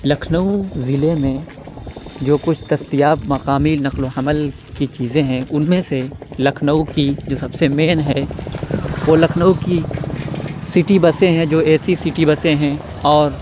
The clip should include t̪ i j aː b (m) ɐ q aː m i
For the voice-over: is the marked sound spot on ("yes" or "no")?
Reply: yes